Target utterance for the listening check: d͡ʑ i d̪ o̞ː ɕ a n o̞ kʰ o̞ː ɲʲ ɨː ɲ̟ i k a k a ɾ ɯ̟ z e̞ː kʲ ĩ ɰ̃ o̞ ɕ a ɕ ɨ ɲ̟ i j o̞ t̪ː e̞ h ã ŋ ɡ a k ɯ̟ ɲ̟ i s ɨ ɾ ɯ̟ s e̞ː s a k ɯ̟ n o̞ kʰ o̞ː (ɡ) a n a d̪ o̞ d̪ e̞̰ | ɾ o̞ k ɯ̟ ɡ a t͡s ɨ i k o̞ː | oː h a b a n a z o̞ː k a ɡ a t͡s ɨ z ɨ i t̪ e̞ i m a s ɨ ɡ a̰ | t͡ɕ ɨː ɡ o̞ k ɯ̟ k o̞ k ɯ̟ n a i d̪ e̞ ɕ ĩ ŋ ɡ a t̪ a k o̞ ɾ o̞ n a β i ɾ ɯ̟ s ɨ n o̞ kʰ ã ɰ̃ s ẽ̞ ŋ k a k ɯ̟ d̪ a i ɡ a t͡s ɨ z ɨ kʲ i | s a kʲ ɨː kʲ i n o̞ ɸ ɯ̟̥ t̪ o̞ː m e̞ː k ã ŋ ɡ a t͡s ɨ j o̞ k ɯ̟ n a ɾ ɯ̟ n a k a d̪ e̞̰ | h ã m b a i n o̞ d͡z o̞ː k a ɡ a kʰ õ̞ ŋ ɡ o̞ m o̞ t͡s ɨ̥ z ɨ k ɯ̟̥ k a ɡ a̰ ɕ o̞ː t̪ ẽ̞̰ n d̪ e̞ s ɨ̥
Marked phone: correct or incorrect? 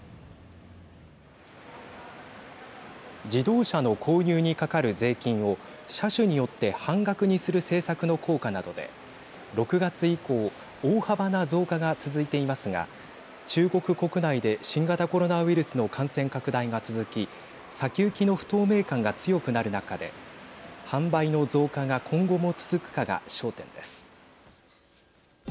incorrect